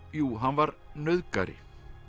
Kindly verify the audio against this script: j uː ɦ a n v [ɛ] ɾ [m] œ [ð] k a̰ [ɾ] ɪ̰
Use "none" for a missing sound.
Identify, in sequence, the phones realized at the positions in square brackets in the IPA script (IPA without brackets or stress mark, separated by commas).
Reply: a, n, ð, ɾ